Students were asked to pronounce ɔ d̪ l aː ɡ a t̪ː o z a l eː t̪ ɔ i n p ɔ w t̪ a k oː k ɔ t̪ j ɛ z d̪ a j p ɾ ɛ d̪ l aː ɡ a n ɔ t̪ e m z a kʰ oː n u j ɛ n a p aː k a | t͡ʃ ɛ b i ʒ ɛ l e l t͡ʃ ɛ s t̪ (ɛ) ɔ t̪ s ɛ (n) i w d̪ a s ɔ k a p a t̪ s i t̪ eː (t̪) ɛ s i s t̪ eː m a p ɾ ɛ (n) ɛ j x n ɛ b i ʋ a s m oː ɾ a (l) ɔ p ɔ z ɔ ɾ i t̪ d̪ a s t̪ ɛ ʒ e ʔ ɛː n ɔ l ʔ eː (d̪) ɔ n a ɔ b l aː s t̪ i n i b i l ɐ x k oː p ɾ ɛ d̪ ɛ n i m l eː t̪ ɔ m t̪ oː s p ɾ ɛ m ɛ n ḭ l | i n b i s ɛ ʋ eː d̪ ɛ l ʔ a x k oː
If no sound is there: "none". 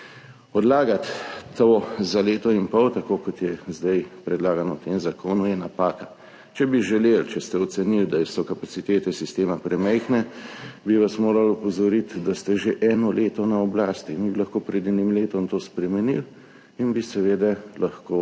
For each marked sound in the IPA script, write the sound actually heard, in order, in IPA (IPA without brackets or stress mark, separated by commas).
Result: ɛ, n, t̪, m, l, t̪